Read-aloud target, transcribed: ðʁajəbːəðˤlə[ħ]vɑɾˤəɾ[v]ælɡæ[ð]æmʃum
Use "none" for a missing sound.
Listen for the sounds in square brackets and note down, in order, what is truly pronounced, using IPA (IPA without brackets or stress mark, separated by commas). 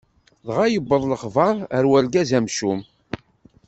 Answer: χ, w, z